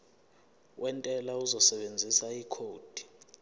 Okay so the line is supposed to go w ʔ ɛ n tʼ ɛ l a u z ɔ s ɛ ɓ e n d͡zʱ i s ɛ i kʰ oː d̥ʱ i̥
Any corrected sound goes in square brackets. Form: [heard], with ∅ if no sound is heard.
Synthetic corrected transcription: w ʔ ɛ n tʼ ɛ l a u z ɔ s ɛ ɓ e n d͡zʱ i s [a] i kʰ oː d̥ʱ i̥